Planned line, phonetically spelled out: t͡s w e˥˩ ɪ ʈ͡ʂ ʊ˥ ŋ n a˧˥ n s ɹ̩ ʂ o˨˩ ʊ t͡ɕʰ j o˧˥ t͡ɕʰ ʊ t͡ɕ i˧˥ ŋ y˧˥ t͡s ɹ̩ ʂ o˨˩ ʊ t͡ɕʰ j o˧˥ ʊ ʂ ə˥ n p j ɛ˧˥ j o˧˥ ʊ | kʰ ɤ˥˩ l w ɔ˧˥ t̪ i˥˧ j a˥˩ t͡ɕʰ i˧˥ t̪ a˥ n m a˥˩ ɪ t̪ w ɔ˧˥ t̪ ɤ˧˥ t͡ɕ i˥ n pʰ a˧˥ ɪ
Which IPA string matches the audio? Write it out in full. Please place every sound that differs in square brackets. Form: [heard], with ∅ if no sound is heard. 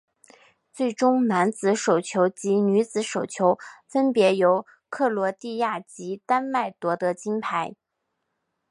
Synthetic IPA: t͡s w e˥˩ ɪ ʈ͡ʂ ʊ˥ ŋ n a˧˥ n [t͡s] ɹ̩ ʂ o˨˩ ʊ t͡ɕʰ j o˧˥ [∅] ʊ t͡ɕ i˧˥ [n] y˧˥ t͡s ɹ̩ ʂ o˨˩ ʊ t͡ɕʰ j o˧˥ ʊ [f] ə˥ n p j ɛ˧˥ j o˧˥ ʊ | kʰ ɤ˥˩ l w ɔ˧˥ t̪ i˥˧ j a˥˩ [t͡ɕ] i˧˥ t̪ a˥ n m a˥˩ ɪ t̪ w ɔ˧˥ t̪ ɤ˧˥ t͡ɕ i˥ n pʰ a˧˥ ɪ